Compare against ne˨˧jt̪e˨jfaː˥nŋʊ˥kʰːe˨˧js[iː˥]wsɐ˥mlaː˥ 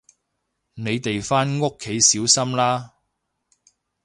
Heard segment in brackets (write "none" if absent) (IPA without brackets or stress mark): iː˨˥